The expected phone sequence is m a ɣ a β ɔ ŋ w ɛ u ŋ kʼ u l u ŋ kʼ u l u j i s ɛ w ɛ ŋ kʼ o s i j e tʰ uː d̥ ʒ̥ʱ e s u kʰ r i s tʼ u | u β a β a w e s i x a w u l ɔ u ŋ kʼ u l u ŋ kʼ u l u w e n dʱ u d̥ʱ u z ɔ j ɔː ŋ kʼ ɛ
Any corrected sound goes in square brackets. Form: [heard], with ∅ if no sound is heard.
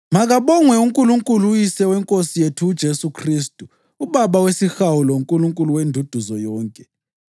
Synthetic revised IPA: m a ɣ a β ɔ ŋ w ɛ u ŋ kʼ u l u ŋ kʼ u l u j i s ɛ w ɛ ŋ kʼ o s i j e tʰ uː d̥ ʒ̥ʱ e s u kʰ r i s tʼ u | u β a β a w e s i x a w u l ɔ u ŋ kʼ u l u ŋ kʼ u l u w e n dʱ u d̥ʱ u z ɔ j ɔː ŋ kʼ ɛ